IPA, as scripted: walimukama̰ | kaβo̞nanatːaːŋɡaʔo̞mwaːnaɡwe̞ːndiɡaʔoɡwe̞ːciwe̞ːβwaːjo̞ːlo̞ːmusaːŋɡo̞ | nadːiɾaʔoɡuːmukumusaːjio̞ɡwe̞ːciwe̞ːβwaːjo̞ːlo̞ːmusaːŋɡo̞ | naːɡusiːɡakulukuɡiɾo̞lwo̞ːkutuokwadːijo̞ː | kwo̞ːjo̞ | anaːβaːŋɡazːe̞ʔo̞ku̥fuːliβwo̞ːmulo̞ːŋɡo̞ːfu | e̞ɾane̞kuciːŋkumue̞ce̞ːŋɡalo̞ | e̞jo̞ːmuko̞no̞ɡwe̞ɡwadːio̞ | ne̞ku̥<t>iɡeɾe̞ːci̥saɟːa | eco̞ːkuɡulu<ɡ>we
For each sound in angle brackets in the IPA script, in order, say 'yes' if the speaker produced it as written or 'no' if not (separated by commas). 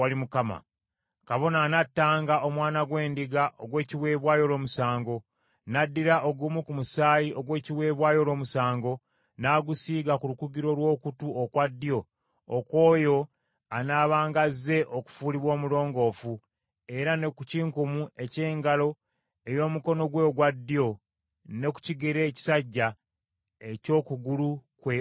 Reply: no, no